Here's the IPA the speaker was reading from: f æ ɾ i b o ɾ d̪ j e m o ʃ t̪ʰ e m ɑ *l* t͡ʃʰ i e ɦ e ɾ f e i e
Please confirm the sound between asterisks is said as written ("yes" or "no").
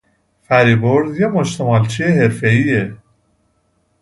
yes